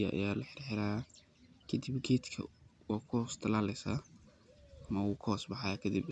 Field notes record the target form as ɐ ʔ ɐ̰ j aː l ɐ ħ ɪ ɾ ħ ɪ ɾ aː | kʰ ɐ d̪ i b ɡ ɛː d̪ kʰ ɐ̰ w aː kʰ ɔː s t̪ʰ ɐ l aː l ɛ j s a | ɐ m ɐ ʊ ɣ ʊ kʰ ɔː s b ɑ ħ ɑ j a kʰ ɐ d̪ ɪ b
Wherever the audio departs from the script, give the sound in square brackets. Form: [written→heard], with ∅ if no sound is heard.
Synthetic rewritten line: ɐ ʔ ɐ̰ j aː l ɐ ħ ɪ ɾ ħ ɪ ɾ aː | kʰ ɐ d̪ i b ɡ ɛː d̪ kʰ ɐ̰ w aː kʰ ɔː s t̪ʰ ɐ l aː l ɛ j s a | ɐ m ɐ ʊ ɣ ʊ kʰ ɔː s b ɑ ħ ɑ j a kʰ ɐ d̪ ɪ b